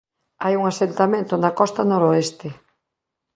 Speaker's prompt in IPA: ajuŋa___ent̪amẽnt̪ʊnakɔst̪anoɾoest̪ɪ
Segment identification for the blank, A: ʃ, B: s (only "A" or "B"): B